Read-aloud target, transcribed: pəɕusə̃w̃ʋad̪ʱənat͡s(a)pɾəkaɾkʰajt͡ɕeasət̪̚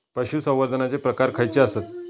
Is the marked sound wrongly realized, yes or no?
yes